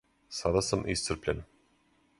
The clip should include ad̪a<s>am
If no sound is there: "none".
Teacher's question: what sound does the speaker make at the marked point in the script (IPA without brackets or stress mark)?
s